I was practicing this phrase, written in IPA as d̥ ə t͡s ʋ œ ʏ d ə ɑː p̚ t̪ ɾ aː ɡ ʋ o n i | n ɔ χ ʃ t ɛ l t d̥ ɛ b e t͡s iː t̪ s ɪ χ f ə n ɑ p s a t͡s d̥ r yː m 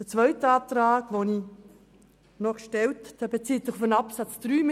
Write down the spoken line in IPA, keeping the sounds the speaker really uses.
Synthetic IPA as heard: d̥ ə t͡s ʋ œ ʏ t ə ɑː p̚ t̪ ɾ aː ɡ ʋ o n i | n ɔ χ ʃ t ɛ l t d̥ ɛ b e t͡s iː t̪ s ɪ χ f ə n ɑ p s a t͡s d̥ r yː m